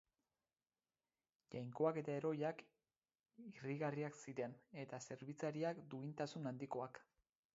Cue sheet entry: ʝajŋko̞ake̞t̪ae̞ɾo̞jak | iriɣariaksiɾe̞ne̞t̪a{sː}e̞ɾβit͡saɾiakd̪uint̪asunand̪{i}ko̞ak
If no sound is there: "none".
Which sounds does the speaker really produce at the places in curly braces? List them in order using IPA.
s, i

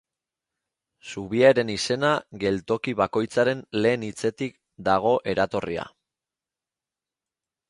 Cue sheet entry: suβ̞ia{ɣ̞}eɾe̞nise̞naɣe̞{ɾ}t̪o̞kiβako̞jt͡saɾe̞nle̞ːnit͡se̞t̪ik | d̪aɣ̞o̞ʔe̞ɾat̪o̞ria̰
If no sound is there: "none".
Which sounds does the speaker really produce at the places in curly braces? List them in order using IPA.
none, l

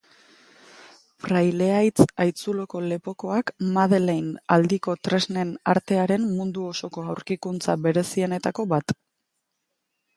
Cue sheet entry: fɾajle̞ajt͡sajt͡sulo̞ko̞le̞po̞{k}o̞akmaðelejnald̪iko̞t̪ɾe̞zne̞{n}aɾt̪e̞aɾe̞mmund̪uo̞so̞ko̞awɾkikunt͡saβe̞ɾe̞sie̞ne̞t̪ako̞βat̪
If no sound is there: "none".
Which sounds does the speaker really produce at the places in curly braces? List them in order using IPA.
k, n

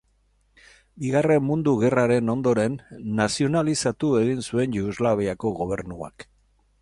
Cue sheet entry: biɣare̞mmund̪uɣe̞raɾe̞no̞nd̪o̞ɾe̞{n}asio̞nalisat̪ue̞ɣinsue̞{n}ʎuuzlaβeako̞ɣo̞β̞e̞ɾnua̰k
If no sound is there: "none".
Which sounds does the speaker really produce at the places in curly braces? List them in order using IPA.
nː, n

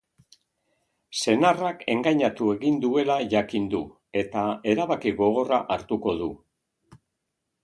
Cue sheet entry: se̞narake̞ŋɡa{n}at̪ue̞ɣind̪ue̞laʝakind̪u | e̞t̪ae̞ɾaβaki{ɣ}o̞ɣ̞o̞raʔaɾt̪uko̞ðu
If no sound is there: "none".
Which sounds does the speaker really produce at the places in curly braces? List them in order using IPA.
ɲ, ɣ

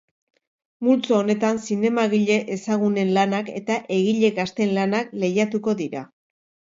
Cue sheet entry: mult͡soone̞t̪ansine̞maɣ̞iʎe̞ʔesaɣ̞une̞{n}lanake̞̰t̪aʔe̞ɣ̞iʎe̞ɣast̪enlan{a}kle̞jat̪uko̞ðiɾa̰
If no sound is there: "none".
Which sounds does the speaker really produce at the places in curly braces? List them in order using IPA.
n, a

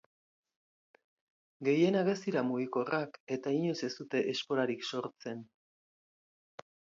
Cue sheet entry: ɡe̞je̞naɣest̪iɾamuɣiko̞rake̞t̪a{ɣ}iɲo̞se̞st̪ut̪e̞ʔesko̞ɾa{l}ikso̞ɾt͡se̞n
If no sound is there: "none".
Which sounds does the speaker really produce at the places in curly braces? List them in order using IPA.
none, ɾ

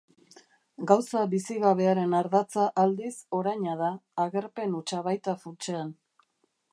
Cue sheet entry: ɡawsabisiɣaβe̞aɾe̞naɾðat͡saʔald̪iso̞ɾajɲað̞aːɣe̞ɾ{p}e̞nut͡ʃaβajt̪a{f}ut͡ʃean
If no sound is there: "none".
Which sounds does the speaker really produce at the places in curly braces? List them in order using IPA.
p, f

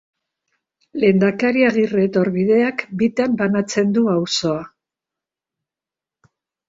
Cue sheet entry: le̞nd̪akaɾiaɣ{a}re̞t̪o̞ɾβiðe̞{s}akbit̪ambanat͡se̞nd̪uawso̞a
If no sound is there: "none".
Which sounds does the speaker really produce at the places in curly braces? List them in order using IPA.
i, none

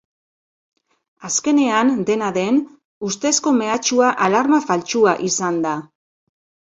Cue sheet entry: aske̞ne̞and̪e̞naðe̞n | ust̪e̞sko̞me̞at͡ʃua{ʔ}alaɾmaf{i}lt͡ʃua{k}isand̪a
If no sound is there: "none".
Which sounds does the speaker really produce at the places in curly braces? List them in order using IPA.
ʔ, a, ʔ

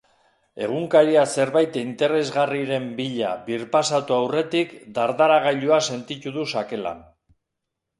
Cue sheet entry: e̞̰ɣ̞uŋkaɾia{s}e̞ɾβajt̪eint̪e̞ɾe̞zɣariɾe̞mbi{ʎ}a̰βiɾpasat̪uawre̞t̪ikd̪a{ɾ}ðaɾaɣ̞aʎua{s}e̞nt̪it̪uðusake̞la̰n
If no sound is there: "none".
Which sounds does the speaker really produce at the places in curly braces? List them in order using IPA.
s, ʎ, ɾ, s

